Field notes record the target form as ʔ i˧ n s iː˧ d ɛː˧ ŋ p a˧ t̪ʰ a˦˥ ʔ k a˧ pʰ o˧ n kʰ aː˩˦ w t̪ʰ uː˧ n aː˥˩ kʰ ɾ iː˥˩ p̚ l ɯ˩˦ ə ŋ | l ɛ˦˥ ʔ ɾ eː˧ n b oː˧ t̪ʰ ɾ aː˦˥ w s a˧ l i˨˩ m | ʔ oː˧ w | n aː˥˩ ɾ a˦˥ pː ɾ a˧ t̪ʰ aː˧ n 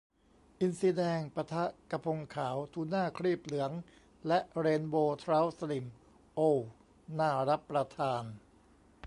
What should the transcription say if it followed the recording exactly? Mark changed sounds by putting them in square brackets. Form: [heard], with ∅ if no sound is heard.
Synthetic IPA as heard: ʔ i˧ n s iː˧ d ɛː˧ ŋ p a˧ t̪ʰ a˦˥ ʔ k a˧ pʰ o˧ [ŋ] kʰ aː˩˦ w t̪ʰ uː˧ n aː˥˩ kʰ ɾ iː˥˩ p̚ l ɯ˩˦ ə ŋ | l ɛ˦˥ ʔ ɾ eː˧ n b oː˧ t̪ʰ ɾ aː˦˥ w s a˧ l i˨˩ m | ʔ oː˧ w | n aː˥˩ ɾ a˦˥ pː ɾ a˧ t̪ʰ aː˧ n